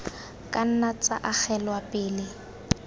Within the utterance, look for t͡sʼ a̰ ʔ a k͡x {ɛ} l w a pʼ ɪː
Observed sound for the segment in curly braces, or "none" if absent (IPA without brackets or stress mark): ɛ